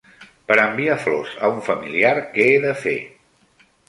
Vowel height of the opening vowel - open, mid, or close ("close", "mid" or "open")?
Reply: mid